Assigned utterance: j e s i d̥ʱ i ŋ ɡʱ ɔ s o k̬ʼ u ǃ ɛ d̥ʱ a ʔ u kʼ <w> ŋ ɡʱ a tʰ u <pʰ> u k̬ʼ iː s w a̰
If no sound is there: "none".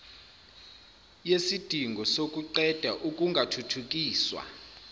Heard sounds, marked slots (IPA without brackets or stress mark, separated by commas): u, tʰ